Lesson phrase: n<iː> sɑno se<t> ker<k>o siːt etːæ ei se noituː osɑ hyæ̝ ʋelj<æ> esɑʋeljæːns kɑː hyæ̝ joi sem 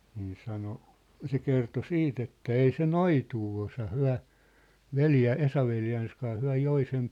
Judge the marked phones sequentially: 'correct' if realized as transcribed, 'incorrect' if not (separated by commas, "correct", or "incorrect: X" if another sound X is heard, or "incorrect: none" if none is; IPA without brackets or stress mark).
correct, incorrect: none, incorrect: t, correct